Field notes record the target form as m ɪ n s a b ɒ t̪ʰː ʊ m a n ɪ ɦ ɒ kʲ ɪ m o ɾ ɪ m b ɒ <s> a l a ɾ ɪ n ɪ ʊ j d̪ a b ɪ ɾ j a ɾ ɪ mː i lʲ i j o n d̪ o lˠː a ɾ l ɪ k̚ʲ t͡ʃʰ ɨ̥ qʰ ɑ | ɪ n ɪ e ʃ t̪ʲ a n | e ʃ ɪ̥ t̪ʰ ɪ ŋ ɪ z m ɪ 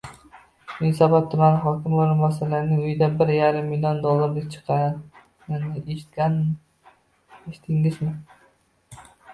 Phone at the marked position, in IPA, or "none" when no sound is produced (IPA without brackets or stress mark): s